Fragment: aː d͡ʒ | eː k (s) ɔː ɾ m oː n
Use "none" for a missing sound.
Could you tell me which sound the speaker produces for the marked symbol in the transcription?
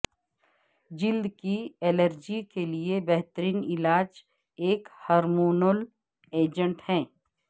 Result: h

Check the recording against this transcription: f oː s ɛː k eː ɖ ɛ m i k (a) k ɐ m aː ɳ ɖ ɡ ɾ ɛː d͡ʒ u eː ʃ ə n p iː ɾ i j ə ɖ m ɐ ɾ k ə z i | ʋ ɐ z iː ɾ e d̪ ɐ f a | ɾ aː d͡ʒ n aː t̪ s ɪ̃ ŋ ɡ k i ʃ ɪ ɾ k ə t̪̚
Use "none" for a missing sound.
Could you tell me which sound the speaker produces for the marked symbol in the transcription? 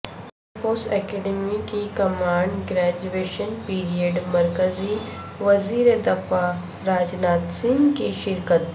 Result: i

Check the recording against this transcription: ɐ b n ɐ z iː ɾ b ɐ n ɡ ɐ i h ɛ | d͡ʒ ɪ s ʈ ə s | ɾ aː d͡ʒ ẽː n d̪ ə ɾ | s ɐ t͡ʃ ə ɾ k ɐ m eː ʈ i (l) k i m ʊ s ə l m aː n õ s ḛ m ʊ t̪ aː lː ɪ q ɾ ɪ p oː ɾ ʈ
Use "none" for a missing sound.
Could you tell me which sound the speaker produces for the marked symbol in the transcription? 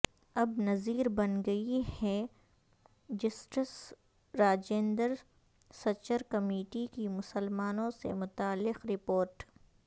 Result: none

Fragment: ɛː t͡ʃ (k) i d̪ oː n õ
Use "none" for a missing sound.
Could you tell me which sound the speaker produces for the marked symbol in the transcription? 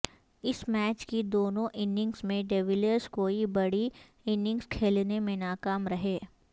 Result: k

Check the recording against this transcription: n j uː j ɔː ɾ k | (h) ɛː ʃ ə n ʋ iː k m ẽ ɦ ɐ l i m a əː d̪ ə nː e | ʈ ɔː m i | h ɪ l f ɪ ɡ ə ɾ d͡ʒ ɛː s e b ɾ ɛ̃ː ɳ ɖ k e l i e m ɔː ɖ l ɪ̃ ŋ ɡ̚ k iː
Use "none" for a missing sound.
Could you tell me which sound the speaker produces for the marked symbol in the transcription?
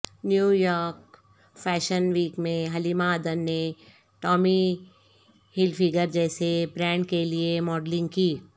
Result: f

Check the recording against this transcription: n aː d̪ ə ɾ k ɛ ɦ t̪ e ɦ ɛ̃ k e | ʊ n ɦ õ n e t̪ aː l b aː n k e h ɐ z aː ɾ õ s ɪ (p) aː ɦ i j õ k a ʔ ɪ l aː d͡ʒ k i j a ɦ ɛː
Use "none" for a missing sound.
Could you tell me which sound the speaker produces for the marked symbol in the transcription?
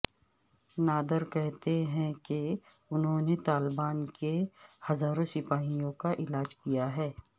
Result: p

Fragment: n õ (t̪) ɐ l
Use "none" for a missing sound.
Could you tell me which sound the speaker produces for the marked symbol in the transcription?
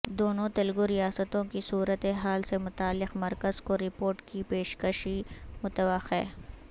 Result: t̪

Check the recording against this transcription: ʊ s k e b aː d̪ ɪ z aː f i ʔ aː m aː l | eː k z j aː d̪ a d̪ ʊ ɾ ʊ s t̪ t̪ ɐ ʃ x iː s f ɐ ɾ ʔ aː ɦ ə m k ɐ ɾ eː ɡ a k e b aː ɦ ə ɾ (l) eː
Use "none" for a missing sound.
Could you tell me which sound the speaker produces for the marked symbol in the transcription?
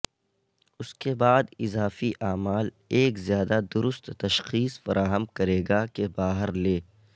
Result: l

